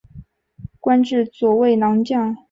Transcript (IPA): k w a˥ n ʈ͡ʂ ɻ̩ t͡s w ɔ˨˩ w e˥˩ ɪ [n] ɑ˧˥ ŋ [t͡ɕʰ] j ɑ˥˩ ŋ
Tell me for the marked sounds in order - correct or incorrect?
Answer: correct, incorrect: t͡ɕ

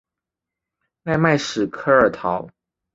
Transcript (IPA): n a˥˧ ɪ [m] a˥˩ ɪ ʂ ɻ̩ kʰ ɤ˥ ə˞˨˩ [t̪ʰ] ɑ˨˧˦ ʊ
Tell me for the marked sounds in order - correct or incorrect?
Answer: correct, correct

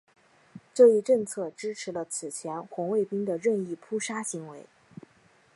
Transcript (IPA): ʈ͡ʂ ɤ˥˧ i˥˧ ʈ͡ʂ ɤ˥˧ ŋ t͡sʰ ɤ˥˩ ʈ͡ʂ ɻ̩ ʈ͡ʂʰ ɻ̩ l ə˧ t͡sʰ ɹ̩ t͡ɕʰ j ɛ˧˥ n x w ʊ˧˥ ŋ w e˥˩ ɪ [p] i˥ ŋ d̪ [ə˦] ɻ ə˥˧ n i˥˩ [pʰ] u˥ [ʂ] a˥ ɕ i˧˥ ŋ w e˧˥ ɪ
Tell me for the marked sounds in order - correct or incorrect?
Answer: correct, incorrect: ə˨, correct, correct

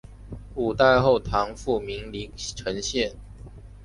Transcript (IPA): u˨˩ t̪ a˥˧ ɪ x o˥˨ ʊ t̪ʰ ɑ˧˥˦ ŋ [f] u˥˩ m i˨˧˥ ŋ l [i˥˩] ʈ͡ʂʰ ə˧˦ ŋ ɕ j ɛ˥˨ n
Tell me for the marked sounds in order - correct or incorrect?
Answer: correct, incorrect: i˧˥

